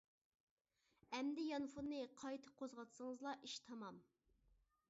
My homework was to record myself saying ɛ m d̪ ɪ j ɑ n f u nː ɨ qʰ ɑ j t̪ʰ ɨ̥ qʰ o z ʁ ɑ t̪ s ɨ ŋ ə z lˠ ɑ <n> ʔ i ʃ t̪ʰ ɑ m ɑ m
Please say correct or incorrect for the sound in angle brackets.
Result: incorrect: none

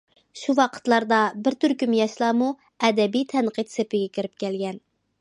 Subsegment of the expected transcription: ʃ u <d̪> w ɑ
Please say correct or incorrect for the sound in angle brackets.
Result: incorrect: none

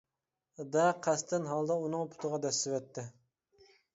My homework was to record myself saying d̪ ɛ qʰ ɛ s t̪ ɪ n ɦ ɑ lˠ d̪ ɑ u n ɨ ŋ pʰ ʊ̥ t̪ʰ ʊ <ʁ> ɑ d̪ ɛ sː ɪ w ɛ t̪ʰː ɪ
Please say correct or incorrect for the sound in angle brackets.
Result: correct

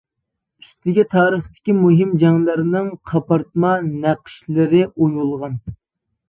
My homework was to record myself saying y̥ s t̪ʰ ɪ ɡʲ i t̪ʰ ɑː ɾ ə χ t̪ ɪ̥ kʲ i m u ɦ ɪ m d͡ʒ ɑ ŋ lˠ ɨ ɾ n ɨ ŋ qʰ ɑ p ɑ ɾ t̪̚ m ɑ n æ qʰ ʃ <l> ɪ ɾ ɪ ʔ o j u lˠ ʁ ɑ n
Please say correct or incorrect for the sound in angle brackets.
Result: correct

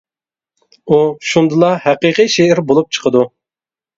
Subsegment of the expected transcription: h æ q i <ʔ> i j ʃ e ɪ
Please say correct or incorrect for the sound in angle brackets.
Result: incorrect: q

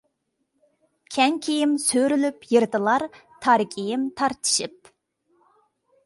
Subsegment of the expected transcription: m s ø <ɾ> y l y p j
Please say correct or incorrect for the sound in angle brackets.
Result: correct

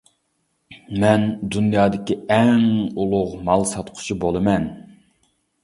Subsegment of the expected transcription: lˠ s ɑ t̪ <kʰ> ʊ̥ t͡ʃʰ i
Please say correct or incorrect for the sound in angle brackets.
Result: incorrect: qʰ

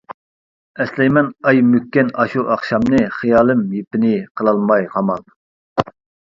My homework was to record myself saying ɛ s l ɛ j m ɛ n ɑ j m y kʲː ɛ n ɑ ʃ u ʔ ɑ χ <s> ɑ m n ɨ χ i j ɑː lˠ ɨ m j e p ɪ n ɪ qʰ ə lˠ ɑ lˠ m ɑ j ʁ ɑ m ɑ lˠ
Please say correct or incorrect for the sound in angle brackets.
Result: incorrect: ʃ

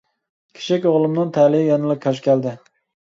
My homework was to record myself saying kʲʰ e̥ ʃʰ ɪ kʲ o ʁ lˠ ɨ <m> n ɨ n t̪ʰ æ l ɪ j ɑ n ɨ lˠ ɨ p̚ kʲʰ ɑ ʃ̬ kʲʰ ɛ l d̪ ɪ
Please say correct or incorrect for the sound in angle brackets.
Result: correct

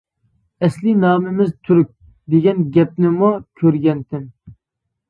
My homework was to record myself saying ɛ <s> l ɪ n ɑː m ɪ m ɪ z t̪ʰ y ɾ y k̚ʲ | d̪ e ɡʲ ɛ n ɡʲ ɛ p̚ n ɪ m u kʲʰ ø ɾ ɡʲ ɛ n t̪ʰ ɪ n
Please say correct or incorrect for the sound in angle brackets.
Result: correct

